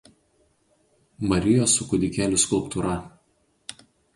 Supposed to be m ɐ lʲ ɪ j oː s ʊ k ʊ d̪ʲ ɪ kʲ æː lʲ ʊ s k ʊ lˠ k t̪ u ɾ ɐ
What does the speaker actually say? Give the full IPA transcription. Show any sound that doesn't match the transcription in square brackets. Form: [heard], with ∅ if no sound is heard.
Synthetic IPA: m ɐ [ɾʲ] ɪ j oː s ʊ k ʊ d̪ʲ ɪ kʲ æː lʲ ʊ s k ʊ lˠ [p] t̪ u ɾ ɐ